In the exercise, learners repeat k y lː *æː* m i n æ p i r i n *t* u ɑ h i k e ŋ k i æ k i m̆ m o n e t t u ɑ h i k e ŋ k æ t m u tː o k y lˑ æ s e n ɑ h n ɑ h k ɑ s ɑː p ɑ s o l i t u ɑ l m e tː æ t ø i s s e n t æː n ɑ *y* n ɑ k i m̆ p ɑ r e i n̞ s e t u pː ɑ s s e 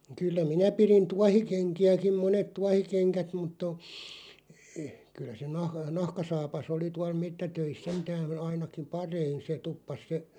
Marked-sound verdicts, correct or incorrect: incorrect: æ, correct, incorrect: i

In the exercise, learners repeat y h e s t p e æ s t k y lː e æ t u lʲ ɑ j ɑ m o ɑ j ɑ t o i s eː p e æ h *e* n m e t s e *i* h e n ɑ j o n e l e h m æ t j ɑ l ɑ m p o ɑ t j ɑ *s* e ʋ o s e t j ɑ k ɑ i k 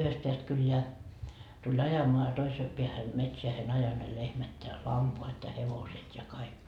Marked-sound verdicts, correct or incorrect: incorrect: æ, incorrect: æ, incorrect: h

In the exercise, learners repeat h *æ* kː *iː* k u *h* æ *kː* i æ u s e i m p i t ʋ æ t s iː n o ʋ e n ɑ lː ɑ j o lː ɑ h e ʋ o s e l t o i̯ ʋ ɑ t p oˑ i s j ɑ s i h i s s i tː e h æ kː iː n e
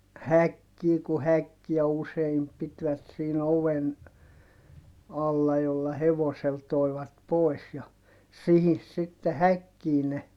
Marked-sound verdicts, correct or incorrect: correct, correct, correct, correct

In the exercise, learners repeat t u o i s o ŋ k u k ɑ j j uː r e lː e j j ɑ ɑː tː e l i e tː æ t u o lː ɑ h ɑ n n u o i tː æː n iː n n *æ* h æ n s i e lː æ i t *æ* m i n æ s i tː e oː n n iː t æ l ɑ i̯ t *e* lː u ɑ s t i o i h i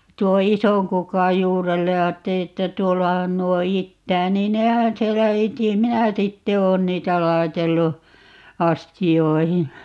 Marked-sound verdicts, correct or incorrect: incorrect: e, incorrect: i, correct

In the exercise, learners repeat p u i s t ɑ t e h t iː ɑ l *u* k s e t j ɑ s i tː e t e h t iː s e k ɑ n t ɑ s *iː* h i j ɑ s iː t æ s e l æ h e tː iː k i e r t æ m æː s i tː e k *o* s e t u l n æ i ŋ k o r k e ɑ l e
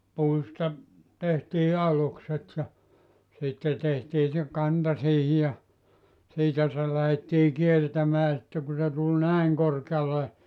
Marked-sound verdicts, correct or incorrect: correct, correct, incorrect: u

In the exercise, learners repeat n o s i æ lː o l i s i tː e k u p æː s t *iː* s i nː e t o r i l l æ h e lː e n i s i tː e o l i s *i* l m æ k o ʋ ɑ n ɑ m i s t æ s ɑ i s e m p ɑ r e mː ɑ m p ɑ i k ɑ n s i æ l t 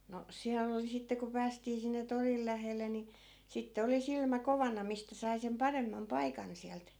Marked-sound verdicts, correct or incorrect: correct, correct

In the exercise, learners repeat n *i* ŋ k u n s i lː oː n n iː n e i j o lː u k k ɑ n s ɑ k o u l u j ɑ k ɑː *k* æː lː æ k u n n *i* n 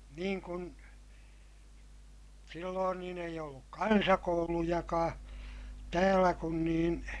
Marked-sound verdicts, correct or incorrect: incorrect: iː, incorrect: t, incorrect: iː

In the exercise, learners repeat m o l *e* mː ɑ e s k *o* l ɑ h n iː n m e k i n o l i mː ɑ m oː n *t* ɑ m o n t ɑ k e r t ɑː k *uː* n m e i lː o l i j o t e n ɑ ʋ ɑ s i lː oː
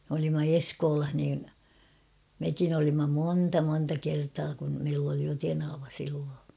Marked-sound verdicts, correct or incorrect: incorrect: i, incorrect: oː, correct, incorrect: u

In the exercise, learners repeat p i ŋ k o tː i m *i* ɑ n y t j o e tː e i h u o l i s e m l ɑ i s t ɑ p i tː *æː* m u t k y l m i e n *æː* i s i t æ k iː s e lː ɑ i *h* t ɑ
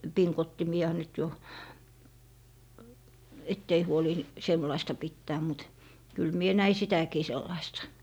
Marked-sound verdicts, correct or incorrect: correct, correct, incorrect: æ, incorrect: s

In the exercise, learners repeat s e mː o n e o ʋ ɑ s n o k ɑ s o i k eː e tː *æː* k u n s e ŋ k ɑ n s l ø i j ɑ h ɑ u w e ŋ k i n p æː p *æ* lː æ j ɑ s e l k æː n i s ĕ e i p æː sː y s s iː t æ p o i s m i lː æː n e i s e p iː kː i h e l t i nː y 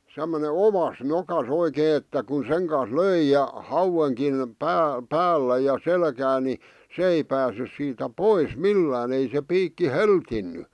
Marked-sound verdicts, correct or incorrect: incorrect: æ, incorrect: æː

